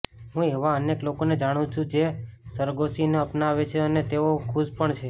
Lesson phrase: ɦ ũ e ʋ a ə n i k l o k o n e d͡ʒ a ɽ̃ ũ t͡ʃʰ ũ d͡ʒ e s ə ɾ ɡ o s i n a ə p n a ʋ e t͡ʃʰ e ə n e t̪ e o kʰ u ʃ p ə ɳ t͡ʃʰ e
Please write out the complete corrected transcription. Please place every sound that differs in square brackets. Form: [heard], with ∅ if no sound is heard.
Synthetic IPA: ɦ ũ e ʋ a ə n [e] k l o k o n e d͡ʒ a ɽ̃ ũ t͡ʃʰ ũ d͡ʒ e s ə ɾ ɡ o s i n [e] ə p n a ʋ e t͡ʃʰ e ə n e t̪ e o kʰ u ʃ p ə ɳ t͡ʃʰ e